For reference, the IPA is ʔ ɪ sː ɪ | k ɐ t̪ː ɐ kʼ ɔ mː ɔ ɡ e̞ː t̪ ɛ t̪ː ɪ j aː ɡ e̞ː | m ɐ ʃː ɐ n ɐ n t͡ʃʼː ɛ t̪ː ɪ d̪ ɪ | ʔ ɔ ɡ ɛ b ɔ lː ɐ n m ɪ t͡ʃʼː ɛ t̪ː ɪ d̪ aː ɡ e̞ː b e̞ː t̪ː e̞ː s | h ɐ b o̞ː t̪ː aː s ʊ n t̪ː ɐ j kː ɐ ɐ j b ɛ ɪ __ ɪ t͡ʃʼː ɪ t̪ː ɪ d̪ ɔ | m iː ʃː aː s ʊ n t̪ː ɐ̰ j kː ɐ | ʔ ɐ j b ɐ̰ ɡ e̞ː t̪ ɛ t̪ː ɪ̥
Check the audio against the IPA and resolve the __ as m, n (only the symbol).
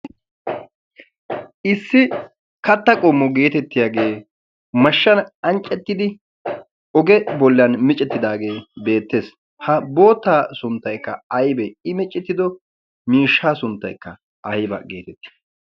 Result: m